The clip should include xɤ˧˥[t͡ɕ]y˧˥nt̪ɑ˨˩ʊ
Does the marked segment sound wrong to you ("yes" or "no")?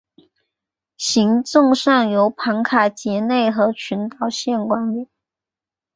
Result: yes